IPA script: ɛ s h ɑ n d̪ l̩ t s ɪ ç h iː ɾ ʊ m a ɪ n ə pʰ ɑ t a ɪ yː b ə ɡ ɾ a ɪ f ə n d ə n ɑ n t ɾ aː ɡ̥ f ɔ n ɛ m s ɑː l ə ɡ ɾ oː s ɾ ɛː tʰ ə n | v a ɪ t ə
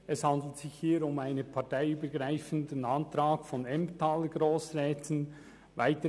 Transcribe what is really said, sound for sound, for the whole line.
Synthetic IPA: ɛ s h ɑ n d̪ l̩ t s ɪ ç h iː ɾ ʊ m a ɪ n ə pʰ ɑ t a ɪ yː b ə ɡ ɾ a ɪ f ə n d ə n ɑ n t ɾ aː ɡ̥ f ɔ n ɛ m t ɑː l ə ɡ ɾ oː s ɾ ɛː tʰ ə n | v a ɪ t ə

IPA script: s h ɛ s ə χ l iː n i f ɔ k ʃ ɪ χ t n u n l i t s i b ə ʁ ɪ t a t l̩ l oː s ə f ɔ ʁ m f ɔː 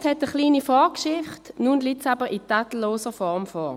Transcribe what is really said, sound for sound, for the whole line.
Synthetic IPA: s h ɛ t ə χ l iː n i f ɔ k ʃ ɪ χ t n u n l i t s a b ə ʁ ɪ t a t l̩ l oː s ə f ɔ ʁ m f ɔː

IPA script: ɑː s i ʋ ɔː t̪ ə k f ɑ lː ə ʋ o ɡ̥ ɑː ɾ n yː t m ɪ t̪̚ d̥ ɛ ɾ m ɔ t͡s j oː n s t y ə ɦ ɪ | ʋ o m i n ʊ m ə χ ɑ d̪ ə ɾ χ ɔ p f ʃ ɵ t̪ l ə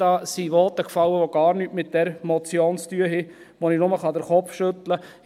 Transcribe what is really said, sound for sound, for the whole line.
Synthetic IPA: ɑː s i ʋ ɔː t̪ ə k f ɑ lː ə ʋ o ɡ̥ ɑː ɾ n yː t m ɪ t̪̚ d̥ ɛ ɾ m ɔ t͡s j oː n s t y ə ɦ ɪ | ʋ o n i n ʊ m ə χ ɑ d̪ ə ɾ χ ɔ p f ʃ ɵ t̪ l ə

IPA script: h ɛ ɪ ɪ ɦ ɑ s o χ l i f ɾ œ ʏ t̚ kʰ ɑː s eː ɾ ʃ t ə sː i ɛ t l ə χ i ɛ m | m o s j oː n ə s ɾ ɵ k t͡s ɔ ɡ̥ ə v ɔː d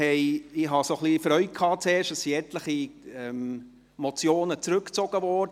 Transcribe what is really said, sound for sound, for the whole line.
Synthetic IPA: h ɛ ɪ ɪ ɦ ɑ s o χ l i f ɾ œ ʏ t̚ kʰ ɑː t͡s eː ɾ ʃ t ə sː i ɛ t l ə χ i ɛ m | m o t͡s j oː n ə t͡s ɾ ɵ k t͡s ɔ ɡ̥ ə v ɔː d

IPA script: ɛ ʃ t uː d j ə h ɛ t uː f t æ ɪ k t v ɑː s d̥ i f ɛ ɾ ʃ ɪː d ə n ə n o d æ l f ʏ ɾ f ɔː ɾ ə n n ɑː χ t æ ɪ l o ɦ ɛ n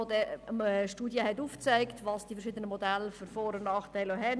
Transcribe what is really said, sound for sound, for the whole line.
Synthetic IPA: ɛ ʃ t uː d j ə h ɛ t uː f t͡s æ ɪ k t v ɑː s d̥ i f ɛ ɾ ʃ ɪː d ə n ə m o d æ l f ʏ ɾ f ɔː ɾ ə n n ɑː χ t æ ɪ l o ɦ ɛ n

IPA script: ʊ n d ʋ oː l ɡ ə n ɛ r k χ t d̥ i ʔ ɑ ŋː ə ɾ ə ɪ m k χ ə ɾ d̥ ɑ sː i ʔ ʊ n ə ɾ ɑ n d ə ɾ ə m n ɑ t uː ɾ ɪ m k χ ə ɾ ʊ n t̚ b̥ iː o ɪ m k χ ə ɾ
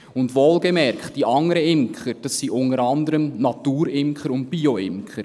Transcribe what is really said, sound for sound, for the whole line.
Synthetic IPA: ʊ n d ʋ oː l ɡ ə m ɛ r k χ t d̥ i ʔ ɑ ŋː ə ɾ ə ɪ m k χ ə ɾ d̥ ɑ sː i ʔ ʊ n ə ɾ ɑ n d ə ɾ ə m n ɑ t uː ɾ ɪ m k χ ə ɾ ʊ n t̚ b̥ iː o ɪ m k χ ə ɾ

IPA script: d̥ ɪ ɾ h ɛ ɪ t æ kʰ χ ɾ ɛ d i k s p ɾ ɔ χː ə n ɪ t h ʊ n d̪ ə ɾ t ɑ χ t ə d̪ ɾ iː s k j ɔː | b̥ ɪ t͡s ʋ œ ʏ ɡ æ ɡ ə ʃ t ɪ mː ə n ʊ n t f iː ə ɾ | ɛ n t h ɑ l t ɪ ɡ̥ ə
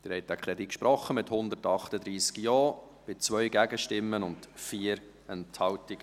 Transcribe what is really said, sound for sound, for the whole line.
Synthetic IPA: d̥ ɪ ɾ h ɛ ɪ t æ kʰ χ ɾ ɛ d i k ʃ p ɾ ɔ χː ə m ɪ t h ʊ n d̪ ə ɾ t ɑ χ t ə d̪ ɾ iː s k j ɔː | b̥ ɪ t͡s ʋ œ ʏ ɡ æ ɡ ə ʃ t ɪ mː ə n ʊ n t f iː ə ɾ | ɛ n t h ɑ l t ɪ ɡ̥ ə

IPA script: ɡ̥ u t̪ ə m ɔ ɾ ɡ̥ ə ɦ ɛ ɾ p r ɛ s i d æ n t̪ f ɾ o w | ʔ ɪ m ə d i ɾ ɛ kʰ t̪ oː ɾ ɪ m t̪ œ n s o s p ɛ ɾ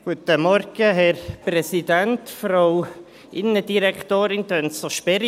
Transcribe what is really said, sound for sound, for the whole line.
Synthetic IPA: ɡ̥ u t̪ ə m ɔ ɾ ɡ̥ ə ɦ ɛ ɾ p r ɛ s i d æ n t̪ f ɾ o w | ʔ ɪ n ə d i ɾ ɛ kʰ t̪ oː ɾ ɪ n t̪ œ n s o ʃ p ɛ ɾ

